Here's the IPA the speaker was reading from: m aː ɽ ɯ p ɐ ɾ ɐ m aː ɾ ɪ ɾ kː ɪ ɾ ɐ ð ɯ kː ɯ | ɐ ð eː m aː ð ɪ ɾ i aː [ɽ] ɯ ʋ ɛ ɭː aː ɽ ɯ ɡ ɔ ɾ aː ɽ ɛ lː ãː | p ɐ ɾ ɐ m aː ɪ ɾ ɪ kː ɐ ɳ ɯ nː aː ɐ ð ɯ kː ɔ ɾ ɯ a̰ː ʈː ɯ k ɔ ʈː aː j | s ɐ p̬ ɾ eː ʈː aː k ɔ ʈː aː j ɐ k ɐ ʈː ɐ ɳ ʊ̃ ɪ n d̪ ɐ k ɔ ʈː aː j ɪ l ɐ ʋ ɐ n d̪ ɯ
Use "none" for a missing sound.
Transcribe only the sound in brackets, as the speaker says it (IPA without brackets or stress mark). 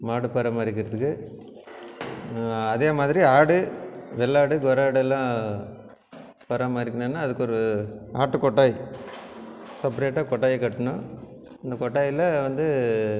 ɽ